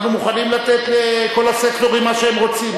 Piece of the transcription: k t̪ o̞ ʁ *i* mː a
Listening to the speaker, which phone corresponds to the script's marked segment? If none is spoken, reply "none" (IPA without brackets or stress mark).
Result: i